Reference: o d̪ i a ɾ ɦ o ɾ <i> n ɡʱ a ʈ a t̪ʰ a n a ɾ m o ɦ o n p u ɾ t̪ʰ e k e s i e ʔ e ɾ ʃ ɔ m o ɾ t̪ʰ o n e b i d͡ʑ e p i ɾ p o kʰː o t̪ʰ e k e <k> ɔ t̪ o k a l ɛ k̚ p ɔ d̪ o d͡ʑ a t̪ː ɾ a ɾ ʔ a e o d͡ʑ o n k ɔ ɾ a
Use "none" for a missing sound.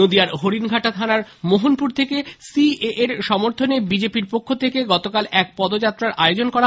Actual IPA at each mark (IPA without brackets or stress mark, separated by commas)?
i, ɡ